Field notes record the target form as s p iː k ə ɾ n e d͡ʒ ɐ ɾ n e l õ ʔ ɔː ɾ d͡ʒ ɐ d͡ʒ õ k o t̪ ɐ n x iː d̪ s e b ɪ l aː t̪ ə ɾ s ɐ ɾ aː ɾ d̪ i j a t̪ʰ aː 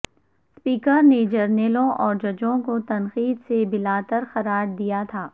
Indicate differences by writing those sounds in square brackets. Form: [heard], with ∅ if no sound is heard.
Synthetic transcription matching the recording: s p iː k ə ɾ n e d͡ʒ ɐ ɾ n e l õ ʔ ɔː ɾ d͡ʒ ɐ d͡ʒ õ k o t̪ ɐ n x iː d̪ s e b ɪ l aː t̪ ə ɾ [x] ɐ ɾ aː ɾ d̪ i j a t̪ʰ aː